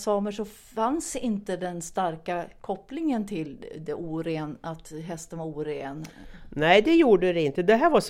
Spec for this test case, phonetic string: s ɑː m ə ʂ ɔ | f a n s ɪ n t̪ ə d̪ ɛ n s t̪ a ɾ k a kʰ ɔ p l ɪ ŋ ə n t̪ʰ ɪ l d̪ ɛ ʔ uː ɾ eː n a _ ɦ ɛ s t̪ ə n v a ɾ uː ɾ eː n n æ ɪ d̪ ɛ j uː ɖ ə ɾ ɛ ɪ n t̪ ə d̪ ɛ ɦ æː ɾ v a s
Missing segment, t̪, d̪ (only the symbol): t̪